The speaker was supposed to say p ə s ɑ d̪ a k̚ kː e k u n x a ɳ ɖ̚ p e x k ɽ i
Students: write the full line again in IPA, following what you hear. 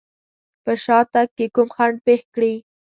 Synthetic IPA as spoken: p ə ʃ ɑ t̪ a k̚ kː e k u m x a ɳ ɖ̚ p e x k ɽ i